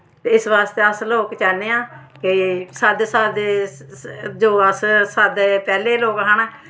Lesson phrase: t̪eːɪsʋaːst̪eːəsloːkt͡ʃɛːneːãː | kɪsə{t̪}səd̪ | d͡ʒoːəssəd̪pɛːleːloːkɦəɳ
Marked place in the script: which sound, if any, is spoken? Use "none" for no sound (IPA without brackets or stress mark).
d̪